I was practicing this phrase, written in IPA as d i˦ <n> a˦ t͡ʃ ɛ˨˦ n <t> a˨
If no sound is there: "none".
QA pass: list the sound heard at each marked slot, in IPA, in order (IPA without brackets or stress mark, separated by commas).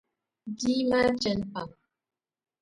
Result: m, p